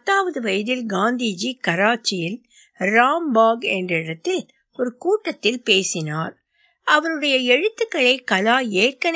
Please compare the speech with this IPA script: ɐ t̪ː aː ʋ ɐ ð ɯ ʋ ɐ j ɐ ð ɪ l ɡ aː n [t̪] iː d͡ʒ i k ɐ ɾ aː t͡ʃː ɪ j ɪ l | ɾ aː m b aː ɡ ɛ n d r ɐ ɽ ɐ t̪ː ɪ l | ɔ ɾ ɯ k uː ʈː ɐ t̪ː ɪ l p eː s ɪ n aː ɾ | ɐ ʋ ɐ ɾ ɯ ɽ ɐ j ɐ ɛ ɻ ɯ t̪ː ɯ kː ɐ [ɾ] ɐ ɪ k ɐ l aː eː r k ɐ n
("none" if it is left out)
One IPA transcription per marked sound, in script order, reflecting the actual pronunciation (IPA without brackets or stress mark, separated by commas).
d̪, ɭ